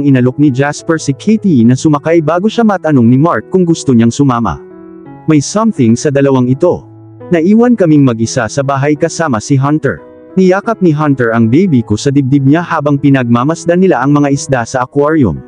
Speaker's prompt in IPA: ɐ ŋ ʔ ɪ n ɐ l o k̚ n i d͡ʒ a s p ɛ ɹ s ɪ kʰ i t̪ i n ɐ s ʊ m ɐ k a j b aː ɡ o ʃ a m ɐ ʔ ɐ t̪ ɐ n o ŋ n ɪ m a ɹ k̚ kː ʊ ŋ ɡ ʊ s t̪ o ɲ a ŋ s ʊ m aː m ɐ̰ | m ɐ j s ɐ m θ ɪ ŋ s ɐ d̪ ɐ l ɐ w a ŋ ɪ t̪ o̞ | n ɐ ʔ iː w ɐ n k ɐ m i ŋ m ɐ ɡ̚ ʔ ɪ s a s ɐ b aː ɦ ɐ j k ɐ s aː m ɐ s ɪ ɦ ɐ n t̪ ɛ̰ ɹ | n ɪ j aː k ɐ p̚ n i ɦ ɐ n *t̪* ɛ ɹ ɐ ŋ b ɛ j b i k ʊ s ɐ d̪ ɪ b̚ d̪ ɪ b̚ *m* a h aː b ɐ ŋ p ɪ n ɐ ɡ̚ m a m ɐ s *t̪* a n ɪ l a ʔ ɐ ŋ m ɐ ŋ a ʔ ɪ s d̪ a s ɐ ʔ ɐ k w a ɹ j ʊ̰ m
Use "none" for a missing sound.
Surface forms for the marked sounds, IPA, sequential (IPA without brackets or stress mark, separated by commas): t̪, ɲ, d̪